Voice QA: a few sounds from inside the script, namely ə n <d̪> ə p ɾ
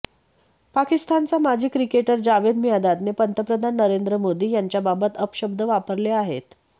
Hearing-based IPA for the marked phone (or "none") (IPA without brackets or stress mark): t̪